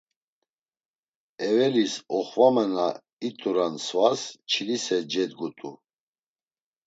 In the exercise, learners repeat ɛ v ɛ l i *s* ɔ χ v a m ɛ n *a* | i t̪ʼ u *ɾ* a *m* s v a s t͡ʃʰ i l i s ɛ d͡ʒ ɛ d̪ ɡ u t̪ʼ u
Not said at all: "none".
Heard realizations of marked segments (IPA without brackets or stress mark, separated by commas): s, a, ɾ, n